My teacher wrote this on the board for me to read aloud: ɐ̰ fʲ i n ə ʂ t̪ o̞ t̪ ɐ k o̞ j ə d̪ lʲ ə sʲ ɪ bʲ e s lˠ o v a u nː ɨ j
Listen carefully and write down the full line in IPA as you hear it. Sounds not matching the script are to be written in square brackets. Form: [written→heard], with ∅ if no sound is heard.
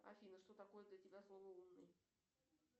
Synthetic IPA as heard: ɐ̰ fʲ i n ə ʂ t̪ o̞ t̪ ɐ k o̞ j ə d̪ lʲ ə [sʲ→tʲ] ɪ bʲ [e→a] s lˠ o v [a→ə] u nː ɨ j